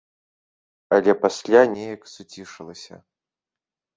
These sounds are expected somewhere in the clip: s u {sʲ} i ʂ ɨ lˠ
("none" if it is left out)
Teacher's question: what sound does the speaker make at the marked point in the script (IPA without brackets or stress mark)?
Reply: t͡sʲ